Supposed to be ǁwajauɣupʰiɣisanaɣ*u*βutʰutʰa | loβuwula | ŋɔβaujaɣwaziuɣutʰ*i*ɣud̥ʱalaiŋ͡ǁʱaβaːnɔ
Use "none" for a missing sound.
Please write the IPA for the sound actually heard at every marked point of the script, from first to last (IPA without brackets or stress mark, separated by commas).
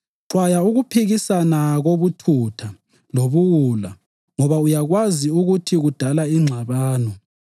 o, i